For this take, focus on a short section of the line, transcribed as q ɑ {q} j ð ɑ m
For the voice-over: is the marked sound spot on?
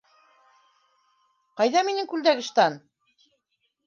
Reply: no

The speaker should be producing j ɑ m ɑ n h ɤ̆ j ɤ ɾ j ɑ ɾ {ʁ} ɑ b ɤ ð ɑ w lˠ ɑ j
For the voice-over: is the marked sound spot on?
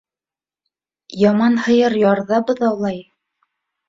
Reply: no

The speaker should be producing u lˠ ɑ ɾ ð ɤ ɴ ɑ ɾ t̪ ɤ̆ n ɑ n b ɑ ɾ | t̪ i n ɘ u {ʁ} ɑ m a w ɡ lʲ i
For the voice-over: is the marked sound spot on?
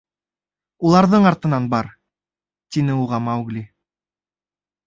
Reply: yes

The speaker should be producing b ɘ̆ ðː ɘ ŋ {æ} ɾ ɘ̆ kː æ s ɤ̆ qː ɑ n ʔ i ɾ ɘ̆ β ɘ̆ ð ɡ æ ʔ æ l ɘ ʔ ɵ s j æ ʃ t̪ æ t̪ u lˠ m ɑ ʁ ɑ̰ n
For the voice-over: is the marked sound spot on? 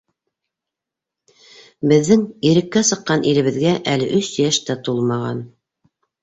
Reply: no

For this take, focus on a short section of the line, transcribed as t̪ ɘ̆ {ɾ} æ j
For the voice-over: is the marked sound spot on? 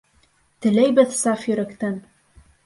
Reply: no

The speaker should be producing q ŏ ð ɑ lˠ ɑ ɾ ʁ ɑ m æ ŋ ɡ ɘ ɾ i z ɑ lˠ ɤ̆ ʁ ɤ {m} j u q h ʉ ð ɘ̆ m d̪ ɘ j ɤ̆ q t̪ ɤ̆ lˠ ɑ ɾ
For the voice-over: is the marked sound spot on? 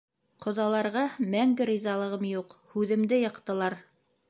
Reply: yes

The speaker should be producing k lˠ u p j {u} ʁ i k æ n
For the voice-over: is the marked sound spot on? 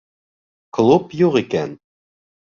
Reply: yes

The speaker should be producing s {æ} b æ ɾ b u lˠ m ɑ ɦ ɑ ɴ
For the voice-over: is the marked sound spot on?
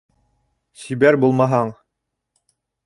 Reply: no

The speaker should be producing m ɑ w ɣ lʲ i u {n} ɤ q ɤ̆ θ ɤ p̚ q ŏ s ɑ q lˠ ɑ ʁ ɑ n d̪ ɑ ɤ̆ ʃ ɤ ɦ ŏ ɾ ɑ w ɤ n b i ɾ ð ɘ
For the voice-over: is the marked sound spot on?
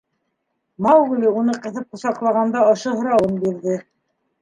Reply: yes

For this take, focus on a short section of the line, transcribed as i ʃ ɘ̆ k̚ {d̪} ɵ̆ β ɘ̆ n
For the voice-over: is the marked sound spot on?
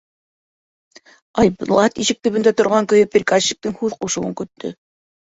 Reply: no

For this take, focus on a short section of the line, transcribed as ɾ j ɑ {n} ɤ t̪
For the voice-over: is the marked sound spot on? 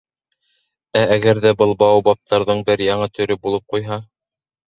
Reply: no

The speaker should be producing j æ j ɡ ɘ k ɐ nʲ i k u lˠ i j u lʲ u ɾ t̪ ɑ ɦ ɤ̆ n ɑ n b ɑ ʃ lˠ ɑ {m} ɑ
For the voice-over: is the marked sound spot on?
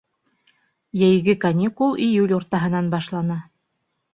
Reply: no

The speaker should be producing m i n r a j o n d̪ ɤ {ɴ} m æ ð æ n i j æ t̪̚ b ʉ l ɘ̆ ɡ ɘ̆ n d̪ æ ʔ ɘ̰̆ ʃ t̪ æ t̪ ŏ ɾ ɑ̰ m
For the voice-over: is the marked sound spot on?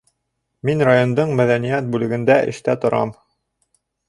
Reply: yes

